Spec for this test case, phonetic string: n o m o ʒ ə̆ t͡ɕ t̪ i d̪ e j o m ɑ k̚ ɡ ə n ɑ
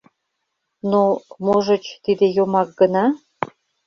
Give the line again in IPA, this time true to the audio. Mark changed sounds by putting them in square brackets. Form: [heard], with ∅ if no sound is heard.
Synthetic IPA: n o m o ʒ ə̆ t͡ɕ t̪ i d̪ e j o m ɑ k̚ ɡ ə n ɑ